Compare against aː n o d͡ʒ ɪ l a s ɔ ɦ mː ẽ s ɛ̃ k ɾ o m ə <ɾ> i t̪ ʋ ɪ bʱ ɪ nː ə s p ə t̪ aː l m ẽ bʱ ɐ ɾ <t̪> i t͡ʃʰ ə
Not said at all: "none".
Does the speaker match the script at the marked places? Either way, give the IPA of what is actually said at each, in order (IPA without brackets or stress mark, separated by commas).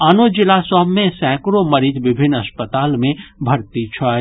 ɾ, t̪